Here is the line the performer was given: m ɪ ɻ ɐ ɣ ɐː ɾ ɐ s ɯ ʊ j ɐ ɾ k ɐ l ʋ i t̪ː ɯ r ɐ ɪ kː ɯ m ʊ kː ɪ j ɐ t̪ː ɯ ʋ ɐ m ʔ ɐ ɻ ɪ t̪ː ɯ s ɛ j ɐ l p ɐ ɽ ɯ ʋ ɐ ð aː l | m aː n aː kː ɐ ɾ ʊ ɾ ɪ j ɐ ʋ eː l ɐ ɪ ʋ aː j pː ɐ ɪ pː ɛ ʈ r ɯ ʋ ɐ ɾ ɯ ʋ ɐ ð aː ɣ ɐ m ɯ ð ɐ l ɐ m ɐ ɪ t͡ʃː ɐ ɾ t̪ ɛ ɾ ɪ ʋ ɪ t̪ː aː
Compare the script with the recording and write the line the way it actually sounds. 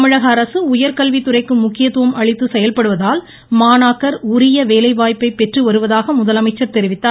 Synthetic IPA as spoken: m ɪ ɻ ɐ ɣ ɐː ɾ ɐ s ɯ ʊ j ɐ ɾ k ɐ l ʋ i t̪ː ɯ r ɐ ɪ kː ɯ m ʊ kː ɪ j ɐ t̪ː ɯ ʋ ɐ m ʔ ɐ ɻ ɪ t̪ː ɯ s ɛ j ɐ l p ɐ ɽ ɯ ʋ ɐ ð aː l | m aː n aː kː ɐ ɾ ʊ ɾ ɪ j ɐ ʋ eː l ɐ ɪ ʋ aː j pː ɐ ɪ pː ɛ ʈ r ɯ ʋ ɐ ɾ ɯ ʋ ɐ ð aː ɣ ɐ m ʊ ð ɐ l ɐ m ɐ ɪ t͡ʃː ɐ ɾ t̪ ɛ ɾ ɪ ʋ ɪ t̪ː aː

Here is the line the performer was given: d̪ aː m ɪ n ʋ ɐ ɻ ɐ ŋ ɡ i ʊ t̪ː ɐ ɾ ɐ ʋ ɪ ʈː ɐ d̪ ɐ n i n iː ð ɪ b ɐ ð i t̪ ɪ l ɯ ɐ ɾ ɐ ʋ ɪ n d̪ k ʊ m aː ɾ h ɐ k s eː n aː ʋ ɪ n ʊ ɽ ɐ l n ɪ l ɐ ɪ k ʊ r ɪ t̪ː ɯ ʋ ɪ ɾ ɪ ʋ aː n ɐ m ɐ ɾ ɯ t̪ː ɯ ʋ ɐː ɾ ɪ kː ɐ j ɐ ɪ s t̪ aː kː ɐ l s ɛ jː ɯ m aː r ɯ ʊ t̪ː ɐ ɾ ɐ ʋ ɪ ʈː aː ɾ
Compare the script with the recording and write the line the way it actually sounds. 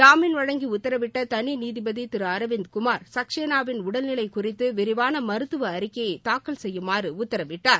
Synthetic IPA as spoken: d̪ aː m ɪ n ʋ ɐ ɻ ɐ ŋ ɡ i ʊ t̪ː ɐ ɾ ɐ ʋ ɪ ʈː ɐ t̪ ɐ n i n iː ð ɪ b ɐ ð i t̪ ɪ ɾ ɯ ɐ ɾ ɐ ʋ ɪ n d̪ k ʊ m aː ɾ s ɐ k ʂ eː n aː ʋ ɪ n ʊ ɽ ɐ l n ɪ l ɐ ɪ k ʊ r ɪ t̪ː ɯ ʋ ɪ ɾ ɪ ʋ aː n ɐ m ɐ ɾ ɯ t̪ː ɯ ʋ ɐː ɾ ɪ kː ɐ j ɐ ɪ t̪ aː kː ɐ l s ɛ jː ɯ m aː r ɯ ʊ t̪ː ɐ ɾ ɐ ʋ ɪ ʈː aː ɾ

